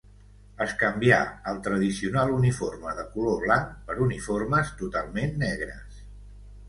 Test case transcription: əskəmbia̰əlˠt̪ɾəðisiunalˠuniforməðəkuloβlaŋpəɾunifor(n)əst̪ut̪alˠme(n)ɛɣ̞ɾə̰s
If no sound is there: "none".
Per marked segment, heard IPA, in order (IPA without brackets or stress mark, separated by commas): m, nː